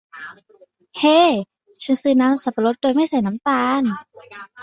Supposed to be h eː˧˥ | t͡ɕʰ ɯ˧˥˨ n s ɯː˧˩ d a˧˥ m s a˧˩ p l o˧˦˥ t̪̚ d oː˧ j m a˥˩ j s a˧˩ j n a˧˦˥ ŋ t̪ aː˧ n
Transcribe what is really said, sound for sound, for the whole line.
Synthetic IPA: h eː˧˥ | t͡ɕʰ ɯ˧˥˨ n s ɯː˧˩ n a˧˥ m s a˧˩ p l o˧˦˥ t̪̚ d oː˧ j m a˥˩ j s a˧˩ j n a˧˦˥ m t̪ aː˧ n

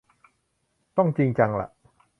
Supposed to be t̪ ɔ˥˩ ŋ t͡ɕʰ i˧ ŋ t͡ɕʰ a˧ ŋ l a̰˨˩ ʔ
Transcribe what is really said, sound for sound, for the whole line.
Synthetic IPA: t̪ ɔ˥˩ ŋ t͡ɕ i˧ ŋ t͡ɕ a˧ ŋ l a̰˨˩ ʔ

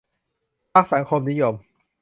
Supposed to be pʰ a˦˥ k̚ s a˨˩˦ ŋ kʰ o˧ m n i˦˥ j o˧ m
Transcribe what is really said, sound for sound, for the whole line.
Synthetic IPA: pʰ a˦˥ k̚ s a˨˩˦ ŋ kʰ o˧ m n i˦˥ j o˧ m

